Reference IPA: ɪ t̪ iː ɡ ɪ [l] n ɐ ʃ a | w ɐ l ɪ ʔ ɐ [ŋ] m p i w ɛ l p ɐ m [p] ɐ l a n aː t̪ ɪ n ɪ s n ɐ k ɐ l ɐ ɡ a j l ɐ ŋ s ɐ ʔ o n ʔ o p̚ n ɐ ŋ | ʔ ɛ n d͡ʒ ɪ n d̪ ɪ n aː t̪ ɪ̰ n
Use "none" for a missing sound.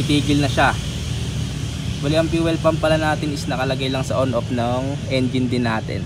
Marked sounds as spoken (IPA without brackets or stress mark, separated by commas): l, none, p